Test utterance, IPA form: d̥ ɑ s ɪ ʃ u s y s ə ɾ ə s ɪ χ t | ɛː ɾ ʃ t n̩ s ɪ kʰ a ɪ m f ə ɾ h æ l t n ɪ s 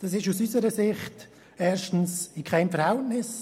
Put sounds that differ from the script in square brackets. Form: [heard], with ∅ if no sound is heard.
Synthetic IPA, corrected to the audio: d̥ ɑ s ɪ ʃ u s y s ə ɾ ə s ɪ χ t | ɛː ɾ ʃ t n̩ s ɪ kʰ a ɪ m f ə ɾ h [ɛ] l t n ɪ s